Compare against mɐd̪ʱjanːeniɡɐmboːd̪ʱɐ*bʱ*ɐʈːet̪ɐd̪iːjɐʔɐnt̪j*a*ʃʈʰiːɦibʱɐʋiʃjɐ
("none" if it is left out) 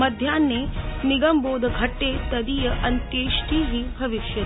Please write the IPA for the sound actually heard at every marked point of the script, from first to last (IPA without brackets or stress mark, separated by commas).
ɡʱ, e